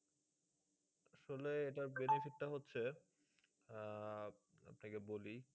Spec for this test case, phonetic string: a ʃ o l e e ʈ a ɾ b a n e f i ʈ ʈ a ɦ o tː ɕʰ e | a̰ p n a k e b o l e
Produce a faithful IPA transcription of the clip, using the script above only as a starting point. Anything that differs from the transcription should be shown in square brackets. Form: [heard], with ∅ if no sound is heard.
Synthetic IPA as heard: a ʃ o l e e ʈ a ɾ b [e] n e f i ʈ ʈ a ɦ o tː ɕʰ e | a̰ p n a k e b o l [i]